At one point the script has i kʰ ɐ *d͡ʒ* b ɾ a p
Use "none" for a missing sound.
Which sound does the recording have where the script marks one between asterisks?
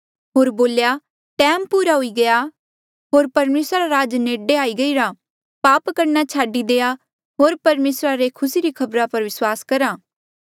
none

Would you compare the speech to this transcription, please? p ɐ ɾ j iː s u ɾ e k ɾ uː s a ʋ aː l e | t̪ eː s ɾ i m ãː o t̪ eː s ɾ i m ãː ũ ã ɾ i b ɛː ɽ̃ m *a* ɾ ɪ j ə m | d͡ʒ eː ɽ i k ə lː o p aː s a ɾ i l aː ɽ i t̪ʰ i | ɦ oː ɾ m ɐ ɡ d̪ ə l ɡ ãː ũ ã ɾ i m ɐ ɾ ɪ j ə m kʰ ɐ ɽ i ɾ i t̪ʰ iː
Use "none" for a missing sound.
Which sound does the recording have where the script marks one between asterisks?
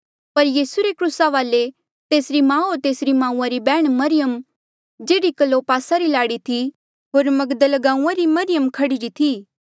ɐ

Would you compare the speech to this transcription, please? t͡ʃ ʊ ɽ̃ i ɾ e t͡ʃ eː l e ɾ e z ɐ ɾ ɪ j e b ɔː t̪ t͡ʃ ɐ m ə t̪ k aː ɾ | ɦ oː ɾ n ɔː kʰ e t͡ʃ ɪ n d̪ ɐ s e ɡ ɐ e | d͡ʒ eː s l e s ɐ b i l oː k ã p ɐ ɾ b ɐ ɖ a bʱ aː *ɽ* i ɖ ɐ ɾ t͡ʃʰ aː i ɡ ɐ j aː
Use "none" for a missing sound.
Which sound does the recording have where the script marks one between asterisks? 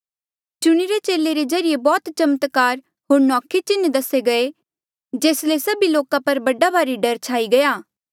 ɾ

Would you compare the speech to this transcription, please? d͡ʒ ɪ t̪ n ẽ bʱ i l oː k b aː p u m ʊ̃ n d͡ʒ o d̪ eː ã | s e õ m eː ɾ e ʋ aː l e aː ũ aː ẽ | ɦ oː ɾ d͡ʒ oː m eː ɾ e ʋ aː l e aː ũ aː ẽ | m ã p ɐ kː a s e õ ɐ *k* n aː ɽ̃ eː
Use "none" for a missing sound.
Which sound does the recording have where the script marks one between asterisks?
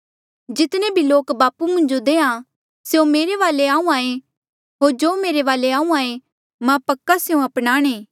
p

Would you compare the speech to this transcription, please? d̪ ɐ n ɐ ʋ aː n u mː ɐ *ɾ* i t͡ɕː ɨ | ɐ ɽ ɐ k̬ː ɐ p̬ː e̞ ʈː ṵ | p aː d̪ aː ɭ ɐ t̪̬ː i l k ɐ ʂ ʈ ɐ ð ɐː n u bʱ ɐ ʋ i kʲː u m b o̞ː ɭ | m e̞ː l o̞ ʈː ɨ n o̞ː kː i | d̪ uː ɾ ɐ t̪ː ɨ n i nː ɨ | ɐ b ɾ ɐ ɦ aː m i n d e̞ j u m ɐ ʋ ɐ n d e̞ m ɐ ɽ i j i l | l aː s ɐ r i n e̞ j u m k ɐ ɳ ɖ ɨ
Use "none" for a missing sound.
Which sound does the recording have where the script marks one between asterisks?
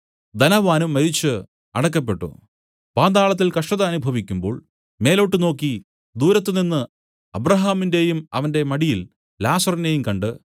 ɾ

